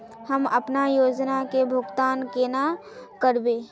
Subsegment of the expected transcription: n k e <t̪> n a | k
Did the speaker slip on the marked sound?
yes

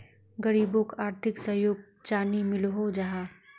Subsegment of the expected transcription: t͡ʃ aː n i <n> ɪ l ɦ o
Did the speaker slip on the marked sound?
yes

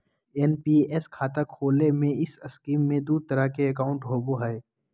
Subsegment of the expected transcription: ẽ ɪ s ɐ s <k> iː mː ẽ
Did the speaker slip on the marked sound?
no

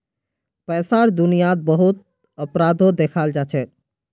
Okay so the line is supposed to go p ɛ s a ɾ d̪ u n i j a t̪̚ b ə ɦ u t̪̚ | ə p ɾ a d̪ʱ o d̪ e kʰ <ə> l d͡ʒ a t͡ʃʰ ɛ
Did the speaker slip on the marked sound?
yes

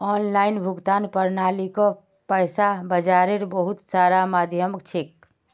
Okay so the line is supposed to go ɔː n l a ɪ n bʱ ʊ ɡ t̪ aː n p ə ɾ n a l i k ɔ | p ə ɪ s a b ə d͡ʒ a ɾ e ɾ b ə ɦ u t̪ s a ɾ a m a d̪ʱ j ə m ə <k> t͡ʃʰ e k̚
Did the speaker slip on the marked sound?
no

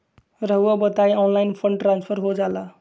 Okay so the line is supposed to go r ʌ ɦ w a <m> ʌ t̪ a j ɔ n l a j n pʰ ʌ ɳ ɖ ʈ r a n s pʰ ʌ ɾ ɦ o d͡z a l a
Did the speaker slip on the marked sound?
yes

